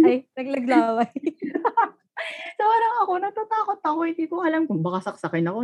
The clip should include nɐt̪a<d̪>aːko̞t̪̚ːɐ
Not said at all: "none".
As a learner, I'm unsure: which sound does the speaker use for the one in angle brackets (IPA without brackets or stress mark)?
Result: t̪